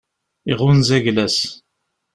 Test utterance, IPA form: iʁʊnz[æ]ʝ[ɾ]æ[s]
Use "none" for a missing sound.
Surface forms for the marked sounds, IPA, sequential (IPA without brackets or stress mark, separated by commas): æ, l, s